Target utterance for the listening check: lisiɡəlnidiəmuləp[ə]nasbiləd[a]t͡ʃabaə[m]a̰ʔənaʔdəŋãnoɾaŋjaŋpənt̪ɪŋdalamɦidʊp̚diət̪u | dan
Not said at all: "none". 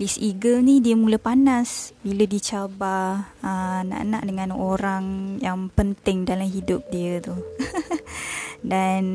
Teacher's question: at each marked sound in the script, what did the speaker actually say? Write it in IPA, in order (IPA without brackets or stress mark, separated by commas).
a, i, n